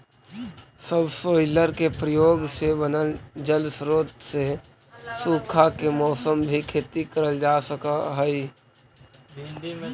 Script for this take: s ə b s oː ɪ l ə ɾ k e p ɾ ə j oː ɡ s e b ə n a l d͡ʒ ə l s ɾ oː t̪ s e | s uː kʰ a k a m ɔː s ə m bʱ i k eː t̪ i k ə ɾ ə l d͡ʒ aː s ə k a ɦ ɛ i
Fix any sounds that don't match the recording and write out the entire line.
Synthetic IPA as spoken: s ə b s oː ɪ l ə ɾ k e p ɾ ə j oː ɡ s e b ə n ə l d͡ʒ ə l s ɾ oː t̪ s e | s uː kʰ a k e m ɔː s ə m bʱ i kʰ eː t̪ i k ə ɾ ə l d͡ʒ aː s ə k a ɦ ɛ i